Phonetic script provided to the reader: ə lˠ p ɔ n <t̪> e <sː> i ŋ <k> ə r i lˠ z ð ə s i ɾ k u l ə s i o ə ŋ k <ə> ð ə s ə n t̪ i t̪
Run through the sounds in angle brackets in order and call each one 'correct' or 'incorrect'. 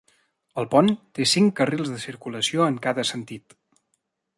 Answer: correct, incorrect: s, correct, incorrect: a

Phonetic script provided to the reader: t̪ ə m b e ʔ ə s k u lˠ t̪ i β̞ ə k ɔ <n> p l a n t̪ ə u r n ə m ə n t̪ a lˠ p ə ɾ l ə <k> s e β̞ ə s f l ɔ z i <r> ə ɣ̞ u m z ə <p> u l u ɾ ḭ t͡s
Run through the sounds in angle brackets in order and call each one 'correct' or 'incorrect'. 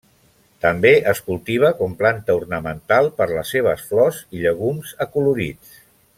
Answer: incorrect: m, incorrect: none, incorrect: ʎ, incorrect: k

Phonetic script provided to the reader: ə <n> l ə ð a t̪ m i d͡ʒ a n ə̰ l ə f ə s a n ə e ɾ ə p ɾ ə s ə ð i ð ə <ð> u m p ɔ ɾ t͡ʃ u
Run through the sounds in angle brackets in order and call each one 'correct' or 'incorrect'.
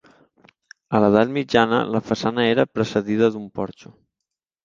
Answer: incorrect: none, correct

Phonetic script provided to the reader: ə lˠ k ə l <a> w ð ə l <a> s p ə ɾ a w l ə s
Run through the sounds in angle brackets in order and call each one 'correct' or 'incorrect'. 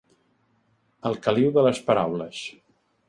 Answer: incorrect: i, incorrect: ə

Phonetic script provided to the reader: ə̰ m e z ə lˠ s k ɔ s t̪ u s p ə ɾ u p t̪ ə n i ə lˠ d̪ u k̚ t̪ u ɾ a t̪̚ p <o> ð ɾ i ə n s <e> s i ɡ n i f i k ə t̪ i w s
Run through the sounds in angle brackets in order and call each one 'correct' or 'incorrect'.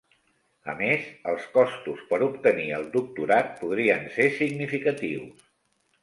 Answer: incorrect: u, correct

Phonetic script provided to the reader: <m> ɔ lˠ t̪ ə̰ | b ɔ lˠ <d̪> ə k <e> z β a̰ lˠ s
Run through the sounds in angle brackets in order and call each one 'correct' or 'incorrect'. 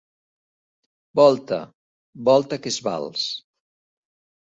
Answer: incorrect: b, incorrect: t̪, correct

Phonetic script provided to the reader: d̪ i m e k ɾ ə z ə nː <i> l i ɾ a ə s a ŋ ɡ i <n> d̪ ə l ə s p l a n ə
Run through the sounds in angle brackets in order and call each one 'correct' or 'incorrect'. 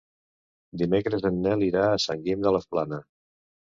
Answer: incorrect: ɛ, incorrect: m

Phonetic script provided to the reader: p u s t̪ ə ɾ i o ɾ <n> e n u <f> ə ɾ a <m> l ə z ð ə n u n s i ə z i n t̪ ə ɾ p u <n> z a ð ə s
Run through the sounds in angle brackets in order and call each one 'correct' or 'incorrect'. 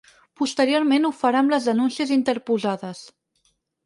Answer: incorrect: m, correct, correct, incorrect: none

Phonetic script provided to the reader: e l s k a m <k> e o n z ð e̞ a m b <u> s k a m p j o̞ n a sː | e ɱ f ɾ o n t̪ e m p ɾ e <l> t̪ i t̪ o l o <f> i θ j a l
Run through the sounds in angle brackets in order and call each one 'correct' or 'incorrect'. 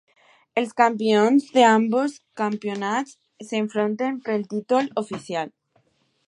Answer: incorrect: p, incorrect: o, correct, correct

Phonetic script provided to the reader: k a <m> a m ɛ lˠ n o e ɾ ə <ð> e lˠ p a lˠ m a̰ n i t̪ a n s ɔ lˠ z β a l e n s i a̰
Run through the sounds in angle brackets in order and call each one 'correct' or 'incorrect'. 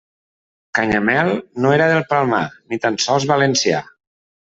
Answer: incorrect: ɲ, correct

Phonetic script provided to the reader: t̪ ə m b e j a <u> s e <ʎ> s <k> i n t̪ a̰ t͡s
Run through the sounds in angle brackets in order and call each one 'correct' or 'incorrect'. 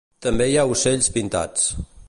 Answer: correct, correct, incorrect: p

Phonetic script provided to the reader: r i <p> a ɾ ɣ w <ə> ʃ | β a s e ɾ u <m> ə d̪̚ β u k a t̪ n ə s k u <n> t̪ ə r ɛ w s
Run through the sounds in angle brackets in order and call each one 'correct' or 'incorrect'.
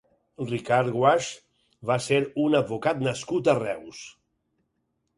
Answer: incorrect: k, incorrect: a, incorrect: n, incorrect: none

